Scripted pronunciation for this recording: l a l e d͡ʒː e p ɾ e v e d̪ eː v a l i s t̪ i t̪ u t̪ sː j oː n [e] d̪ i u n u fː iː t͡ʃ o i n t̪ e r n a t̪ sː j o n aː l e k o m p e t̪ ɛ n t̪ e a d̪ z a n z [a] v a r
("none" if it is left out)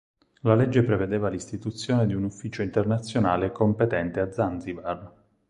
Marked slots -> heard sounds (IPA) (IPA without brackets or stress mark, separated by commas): e, i